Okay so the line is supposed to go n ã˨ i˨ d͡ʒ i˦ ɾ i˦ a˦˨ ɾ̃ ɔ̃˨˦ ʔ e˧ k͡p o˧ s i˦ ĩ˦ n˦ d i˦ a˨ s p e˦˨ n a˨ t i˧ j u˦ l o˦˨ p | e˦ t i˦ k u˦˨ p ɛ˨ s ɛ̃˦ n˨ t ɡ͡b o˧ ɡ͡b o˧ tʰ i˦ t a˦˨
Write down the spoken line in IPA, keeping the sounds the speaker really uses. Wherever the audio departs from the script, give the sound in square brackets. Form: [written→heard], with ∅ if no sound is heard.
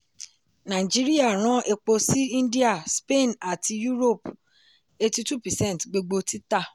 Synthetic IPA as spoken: n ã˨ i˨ d͡ʒ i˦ ɾ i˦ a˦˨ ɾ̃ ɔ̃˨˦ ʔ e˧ k͡p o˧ s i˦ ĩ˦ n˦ d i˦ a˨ s p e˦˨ n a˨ t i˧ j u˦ [l→ɾ] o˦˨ p | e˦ t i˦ [k→t] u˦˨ p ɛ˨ s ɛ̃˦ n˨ t ɡ͡b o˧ ɡ͡b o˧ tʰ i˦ t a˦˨